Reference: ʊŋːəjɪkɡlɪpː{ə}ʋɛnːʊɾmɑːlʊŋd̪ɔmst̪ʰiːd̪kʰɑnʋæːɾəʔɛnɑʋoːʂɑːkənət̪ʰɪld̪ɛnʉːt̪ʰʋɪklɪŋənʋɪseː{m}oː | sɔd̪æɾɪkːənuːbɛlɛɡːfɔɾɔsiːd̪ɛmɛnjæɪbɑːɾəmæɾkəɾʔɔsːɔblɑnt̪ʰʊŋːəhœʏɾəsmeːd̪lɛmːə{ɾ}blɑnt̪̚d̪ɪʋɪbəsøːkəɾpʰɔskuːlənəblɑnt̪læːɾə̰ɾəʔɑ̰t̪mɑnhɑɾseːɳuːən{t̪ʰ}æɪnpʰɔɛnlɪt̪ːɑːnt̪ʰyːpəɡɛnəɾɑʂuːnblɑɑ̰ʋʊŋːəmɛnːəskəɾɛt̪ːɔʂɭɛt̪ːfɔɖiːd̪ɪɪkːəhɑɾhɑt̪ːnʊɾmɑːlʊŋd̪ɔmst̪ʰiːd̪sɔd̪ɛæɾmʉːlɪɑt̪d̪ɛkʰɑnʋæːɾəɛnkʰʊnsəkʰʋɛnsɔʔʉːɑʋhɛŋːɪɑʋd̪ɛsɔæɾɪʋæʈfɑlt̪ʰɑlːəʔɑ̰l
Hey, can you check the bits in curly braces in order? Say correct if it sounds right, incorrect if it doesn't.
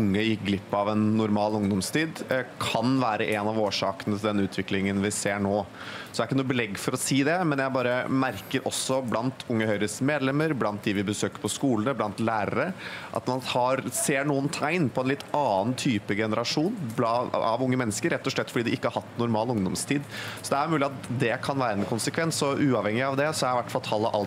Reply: incorrect, incorrect, correct, correct

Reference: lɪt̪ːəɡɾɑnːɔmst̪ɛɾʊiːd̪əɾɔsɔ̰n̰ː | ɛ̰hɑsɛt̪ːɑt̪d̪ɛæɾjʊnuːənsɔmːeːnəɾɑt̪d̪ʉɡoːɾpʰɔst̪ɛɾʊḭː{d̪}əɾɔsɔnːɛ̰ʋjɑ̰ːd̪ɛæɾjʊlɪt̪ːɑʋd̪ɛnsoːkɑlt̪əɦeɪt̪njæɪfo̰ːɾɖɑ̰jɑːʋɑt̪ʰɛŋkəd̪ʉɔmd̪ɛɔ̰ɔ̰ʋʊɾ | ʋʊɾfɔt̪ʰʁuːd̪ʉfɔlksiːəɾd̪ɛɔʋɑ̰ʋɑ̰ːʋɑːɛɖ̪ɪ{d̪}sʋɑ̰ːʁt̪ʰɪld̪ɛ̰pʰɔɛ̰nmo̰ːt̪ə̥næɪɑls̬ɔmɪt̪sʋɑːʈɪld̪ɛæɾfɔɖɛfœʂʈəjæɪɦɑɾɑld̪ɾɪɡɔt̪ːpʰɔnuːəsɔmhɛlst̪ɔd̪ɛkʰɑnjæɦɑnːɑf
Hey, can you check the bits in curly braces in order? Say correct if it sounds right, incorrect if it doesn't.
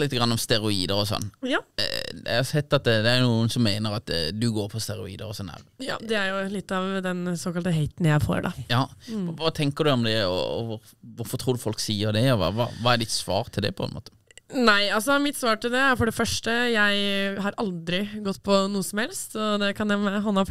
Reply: correct, incorrect

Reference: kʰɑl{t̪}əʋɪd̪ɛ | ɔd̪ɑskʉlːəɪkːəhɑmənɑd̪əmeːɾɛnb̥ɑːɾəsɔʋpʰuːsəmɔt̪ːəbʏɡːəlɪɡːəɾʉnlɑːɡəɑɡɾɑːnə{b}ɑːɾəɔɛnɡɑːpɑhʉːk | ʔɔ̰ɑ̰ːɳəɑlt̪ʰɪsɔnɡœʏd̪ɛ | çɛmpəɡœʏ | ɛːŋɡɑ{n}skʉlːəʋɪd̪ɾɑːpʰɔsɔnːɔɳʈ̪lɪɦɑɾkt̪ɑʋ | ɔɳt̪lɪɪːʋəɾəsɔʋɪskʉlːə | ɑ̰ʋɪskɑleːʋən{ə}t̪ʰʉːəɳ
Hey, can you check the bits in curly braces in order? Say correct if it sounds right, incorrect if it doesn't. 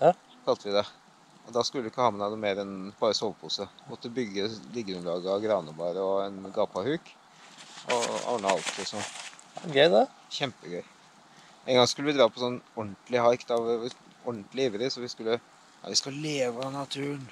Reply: correct, correct, incorrect, incorrect

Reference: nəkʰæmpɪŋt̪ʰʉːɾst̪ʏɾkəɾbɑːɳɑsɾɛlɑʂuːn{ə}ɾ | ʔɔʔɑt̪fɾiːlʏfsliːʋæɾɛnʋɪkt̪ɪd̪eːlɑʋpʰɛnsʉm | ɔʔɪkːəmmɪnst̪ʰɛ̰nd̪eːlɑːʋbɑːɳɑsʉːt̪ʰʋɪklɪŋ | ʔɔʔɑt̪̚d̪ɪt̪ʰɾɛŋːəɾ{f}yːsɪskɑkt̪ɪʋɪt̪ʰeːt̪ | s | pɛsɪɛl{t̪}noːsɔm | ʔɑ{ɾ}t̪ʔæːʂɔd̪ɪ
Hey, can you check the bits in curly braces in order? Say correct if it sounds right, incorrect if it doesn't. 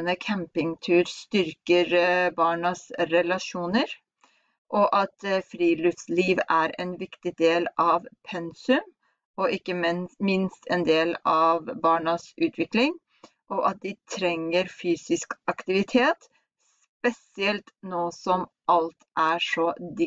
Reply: correct, correct, correct, incorrect

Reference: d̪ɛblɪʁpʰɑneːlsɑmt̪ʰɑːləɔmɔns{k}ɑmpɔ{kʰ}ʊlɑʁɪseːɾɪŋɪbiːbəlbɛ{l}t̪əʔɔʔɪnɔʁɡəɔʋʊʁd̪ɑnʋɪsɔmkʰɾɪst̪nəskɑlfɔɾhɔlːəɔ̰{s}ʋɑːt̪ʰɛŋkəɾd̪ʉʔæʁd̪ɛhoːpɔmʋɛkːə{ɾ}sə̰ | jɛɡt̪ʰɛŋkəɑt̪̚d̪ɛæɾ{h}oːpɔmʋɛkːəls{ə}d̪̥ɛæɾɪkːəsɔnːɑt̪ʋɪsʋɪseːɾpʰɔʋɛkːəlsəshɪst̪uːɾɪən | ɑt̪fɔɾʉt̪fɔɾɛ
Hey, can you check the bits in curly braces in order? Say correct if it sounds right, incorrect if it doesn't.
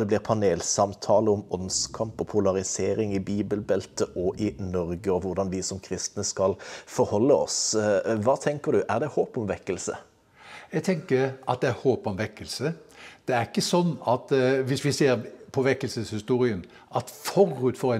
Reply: incorrect, incorrect, correct, correct, incorrect, correct, correct

